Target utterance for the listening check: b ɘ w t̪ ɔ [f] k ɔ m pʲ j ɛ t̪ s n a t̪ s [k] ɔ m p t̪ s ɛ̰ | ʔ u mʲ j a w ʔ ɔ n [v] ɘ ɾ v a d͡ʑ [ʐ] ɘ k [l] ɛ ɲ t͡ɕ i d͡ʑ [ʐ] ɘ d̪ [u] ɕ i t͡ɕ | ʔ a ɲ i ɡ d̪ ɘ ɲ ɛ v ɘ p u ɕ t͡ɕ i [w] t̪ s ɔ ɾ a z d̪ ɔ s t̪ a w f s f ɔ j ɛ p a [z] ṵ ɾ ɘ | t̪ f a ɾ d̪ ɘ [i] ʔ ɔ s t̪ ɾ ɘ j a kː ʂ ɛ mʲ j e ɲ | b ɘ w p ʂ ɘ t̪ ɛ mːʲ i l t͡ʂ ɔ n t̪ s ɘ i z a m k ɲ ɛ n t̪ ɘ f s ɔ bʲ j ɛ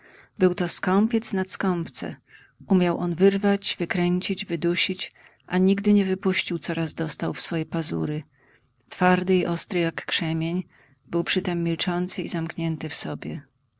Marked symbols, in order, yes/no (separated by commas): no, yes, yes, no, no, no, yes, yes, yes, yes